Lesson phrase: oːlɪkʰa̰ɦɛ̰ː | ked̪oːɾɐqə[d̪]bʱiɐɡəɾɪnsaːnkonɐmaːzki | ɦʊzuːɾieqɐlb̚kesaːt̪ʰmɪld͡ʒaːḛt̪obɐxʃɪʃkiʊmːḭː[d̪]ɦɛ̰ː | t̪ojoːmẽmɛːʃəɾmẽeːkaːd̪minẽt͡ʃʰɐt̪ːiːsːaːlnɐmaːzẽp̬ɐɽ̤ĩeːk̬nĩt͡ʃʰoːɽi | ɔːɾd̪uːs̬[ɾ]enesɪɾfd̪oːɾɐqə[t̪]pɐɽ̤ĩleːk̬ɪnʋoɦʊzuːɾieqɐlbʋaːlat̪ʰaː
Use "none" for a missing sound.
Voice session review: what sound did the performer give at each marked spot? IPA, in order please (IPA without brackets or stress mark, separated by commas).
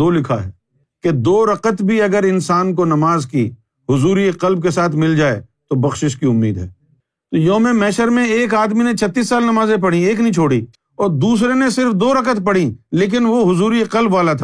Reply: t̪, d̪, ɾ, t̪